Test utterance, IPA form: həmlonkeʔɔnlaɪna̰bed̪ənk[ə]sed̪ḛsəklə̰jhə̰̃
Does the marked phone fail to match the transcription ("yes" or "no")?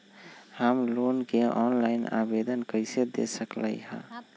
no